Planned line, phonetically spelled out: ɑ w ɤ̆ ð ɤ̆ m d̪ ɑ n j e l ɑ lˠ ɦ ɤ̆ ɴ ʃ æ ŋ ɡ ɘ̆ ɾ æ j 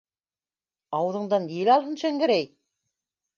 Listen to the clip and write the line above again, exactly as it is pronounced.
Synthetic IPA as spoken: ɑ w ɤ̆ ð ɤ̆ ɴ d̪ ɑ n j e l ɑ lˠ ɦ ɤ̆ n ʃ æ ŋ ɡ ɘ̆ ɾ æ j